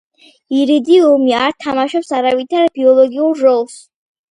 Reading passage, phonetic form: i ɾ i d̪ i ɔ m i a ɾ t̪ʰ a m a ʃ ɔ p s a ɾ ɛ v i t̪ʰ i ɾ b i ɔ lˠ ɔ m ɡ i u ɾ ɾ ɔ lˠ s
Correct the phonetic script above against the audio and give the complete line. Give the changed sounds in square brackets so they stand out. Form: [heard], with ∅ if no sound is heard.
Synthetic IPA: i ɾ i d̪ i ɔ m i a ɾ t̪ʰ a m a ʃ ɔ p s a ɾ [a] v i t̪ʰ [a] ɾ b i ɔ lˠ ɔ [∅] ɡ i u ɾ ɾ ɔ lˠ s